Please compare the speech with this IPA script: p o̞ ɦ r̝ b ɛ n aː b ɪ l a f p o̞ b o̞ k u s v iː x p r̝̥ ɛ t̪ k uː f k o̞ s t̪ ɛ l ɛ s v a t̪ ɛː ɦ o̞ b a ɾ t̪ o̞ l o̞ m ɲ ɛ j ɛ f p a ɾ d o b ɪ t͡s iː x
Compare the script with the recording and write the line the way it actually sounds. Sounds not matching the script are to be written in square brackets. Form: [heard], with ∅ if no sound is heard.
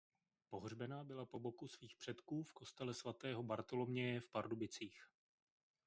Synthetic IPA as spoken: p o̞ ɦ r̝ b ɛ n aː b ɪ l a [∅] p o̞ b o̞ k u s v iː x p r̝̥ ɛ t̪ k uː f k o̞ s t̪ ɛ l ɛ s v a t̪ ɛː ɦ o̞ b a ɾ t̪ o̞ l o̞ m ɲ ɛ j ɛ f p a ɾ d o b ɪ t͡s iː x

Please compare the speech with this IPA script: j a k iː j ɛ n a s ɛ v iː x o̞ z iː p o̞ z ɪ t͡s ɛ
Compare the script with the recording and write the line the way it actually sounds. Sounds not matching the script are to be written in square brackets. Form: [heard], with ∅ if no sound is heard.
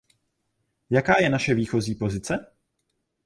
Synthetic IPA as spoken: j a k [aː] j ɛ n a [ʃ] ɛ v iː x o̞ z iː p o̞ z ɪ t͡s ɛ

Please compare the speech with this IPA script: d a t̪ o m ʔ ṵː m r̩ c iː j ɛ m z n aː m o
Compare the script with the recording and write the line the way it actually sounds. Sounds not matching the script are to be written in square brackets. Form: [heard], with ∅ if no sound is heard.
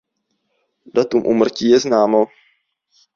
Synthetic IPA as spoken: d a t̪ [u] m ʔ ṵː m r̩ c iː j ɛ [∅] z n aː m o

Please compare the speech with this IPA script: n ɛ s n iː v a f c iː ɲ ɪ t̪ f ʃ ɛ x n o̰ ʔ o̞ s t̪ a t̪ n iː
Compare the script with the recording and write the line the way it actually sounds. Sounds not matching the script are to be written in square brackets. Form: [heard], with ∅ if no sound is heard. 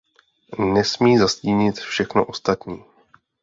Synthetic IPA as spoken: n ɛ s [m] iː [z] a [s] c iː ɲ ɪ t̪ f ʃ ɛ x n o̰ ʔ o̞ s t̪ a t̪ [ɲ] iː

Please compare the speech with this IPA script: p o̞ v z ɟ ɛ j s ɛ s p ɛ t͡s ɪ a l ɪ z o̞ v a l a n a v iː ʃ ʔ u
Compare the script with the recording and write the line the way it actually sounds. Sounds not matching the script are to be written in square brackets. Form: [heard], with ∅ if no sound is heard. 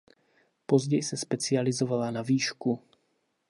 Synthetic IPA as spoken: p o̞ [∅] z ɟ ɛ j s ɛ s p ɛ t͡s ɪ a l ɪ z o̞ v a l a n a v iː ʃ [k] u

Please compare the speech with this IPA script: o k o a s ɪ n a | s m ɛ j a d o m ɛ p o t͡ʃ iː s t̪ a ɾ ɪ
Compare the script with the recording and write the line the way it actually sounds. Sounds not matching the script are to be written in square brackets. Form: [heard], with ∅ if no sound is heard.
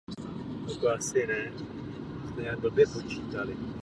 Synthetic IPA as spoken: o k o a s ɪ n [ɛ] | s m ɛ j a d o [b] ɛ p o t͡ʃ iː [∅] t̪ a [l] ɪ

